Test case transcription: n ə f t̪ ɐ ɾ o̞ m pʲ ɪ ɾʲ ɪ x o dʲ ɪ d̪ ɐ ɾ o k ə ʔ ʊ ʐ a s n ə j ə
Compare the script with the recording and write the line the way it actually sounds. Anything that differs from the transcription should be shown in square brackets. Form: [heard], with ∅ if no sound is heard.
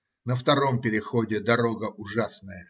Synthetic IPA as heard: n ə f t̪ ɐ ɾ o̞ m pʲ ɪ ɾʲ ɪ x o dʲ ɪ d̪ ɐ ɾ o [ɡ] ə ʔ ʊ ʐ a s n ə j ə

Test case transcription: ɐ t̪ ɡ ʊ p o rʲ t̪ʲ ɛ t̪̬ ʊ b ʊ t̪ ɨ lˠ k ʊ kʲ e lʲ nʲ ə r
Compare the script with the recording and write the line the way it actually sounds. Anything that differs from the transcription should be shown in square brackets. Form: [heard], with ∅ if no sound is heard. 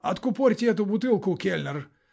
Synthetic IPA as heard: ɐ t̪ [k] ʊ p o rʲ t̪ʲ ɛ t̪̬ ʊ b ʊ t̪ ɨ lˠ k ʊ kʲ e lʲ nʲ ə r

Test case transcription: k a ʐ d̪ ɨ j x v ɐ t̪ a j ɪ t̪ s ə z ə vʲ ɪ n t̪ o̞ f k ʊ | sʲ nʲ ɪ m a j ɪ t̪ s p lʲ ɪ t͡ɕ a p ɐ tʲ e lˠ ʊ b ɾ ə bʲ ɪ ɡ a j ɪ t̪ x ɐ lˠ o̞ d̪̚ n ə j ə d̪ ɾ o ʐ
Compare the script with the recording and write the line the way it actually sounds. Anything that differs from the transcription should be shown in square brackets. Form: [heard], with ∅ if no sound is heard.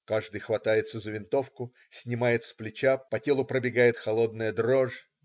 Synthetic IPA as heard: k a ʐ d̪ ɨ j x v ɐ t̪ a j ɪ t̪ s ə z ə vʲ ɪ n t̪ o̞ f k ʊ | sʲ nʲ ɪ m a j ɪ t̪ s p lʲ ɪ t͡ɕ a p ɐ tʲ e lˠ ʊ [p] ɾ ə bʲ ɪ ɡ a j ɪ t̪ x ɐ lˠ o̞ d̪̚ n ə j ə d̪ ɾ o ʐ

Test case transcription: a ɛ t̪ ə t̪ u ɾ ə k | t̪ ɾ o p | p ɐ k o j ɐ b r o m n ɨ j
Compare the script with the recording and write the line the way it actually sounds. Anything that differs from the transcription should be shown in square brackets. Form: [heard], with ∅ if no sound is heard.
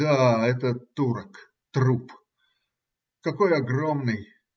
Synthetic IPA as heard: a ɛ t̪ ə t̪ u ɾ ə k | t̪ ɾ [u] p | [k] ɐ k o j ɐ [ɡ] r o m n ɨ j

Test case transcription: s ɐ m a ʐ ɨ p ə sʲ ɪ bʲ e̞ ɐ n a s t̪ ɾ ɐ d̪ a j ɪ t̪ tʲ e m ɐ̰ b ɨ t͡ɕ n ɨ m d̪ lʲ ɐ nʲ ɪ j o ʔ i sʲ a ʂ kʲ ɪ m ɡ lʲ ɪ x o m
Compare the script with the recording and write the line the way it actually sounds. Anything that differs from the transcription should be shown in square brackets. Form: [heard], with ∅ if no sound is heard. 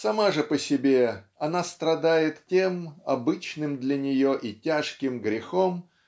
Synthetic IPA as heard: s ɐ m a ʐ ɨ p ə sʲ ɪ bʲ e̞ ɐ n a s t̪ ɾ ɐ d̪ a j ɪ t̪ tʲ e m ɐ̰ b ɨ t͡ɕ n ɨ m d̪ lʲ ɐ nʲ ɪ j o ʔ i [tʲ] a ʂ kʲ ɪ m ɡ [ɾʲ] ɪ x o m

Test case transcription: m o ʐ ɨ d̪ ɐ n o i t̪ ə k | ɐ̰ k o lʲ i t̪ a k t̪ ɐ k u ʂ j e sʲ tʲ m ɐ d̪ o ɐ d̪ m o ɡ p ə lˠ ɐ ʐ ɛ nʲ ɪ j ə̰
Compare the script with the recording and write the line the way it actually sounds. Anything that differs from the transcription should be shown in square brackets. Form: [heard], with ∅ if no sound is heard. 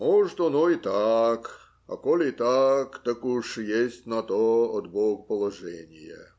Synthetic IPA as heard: m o ʐ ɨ [t̪] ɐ n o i t̪ [a] k | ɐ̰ k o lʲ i t̪ a k t̪ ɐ k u ʂ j e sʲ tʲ [n] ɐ [t̪] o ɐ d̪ [b] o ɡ p ə lˠ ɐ ʐ ɛ nʲ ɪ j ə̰

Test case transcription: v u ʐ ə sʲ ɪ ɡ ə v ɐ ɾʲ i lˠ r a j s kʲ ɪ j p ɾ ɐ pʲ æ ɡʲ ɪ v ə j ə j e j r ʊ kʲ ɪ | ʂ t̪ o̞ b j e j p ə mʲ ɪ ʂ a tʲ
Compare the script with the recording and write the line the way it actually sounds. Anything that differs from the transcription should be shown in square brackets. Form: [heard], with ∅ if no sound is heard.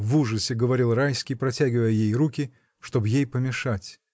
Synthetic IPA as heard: v u ʐ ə sʲ ɪ ɡ ə v ɐ ɾʲ i lˠ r a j s kʲ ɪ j p ɾ ɐ [tʲ] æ ɡʲ ɪ v ə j ə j e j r [u] kʲ ɪ | ʂ t̪ o̞ b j e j p ə mʲ ɪ ʂ a tʲ

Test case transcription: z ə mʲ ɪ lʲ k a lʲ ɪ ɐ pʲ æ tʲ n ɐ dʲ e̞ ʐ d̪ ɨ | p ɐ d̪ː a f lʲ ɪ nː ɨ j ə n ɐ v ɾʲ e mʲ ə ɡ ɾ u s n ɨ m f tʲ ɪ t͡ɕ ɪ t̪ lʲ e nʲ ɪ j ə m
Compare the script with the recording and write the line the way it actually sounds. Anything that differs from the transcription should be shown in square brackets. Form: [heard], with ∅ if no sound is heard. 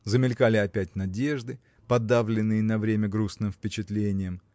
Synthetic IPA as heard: z ə mʲ ɪ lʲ k a lʲ ɪ ɐ pʲ æ tʲ n ɐ dʲ e̞ ʐ d̪ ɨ | p ɐ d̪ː a [v] lʲ ɪ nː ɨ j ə n ɐ v ɾʲ e mʲ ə ɡ ɾ u s n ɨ m f [pʲ] ɪ t͡ɕ ɪ t̪ lʲ e nʲ ɪ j ə m

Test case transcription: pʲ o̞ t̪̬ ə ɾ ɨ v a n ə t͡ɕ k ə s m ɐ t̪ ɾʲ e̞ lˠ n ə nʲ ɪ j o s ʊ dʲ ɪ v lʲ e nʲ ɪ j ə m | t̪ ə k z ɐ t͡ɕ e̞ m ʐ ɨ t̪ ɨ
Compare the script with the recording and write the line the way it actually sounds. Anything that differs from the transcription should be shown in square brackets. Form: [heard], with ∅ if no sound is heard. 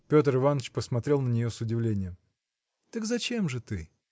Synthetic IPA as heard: pʲ o̞ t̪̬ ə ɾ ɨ v a n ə t͡ɕ [p] ə s m ɐ t̪ ɾʲ e̞ lˠ n ə nʲ ɪ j o s ʊ dʲ ɪ v lʲ e nʲ ɪ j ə m | t̪ ə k z ɐ t͡ɕ e̞ m ʐ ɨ t̪ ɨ

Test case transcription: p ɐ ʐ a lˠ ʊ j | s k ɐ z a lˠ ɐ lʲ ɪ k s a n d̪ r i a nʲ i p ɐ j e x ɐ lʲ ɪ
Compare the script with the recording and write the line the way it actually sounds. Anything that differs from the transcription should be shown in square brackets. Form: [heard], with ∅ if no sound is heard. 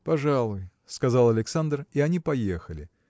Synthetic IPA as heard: p ɐ ʐ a lˠ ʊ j | s k ɐ z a lˠ ɐ lʲ ɪ k s a n d̪ r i [ɐ] nʲ i p ɐ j e x [ə] lʲ ɪ

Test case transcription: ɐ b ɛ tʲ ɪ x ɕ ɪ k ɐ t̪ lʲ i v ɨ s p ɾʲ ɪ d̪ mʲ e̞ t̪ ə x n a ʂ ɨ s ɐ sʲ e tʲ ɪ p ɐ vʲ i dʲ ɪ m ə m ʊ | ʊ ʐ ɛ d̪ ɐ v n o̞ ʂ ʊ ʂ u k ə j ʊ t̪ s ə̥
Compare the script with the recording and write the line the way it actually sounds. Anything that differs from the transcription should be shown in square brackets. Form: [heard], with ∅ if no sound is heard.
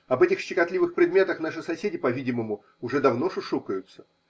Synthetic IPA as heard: ɐ b ɛ tʲ ɪ x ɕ ɪ k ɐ t̪ lʲ i v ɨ [x] p ɾʲ ɪ d̪ mʲ e̞ t̪ ə x n a ʂ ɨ s ɐ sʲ e [dʲ] ɪ p ɐ vʲ i dʲ ɪ m ə m ʊ | ʊ ʐ ɛ d̪ ɐ v n o̞ ʂ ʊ ʂ u k ə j ʊ t̪ s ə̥

